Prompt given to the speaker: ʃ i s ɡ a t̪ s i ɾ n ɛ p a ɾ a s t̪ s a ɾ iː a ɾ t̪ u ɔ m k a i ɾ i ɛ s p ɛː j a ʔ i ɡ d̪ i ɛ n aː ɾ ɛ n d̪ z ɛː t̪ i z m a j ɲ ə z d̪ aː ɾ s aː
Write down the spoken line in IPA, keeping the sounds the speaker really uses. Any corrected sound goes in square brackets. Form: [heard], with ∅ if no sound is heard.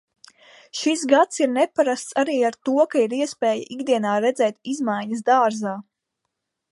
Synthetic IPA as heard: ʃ i s ɡ a t̪ s i ɾ n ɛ p a ɾ a s t̪ s a ɾ iː a ɾ t̪ u ɔ [∅] k a i ɾ i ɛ s p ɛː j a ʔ i ɡ d̪ i ɛ n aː ɾ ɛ [∅] d̪ z ɛː t̪ i z m a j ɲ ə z d̪ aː ɾ [z] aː